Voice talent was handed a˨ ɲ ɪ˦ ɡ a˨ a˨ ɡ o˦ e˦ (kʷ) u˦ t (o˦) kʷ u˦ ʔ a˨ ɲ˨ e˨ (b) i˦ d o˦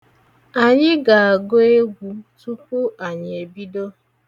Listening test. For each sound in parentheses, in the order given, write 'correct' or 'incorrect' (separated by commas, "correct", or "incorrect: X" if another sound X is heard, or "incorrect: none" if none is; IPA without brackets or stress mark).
incorrect: ɡʷ, incorrect: u˦, correct